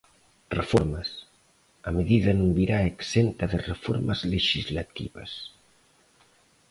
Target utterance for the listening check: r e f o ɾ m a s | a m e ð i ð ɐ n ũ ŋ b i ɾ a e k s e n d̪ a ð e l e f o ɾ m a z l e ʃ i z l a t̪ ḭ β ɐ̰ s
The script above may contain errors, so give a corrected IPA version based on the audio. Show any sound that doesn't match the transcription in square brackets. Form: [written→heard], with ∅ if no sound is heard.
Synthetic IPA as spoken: r e f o ɾ m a s | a m e ð i ð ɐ n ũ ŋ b i ɾ a e k s e n [d̪→t̪] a ð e [l→r] e f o ɾ m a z l e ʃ i z l a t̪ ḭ β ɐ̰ s